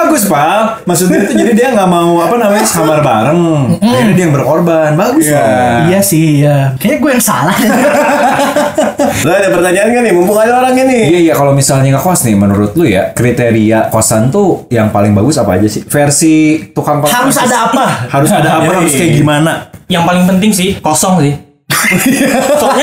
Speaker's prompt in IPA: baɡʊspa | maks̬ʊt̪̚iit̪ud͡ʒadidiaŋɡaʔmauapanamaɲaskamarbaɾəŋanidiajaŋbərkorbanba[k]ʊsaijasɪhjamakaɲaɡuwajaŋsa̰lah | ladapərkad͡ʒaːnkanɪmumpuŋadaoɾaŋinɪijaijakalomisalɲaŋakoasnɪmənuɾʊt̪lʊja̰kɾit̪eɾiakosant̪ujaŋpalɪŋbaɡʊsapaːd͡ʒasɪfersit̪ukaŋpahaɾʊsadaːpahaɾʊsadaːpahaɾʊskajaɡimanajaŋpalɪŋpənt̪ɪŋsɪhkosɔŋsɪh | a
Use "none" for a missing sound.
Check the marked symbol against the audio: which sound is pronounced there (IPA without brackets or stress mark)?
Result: ɡ